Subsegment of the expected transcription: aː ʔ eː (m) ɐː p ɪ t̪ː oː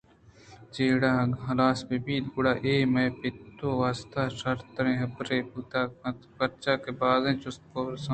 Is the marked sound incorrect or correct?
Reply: correct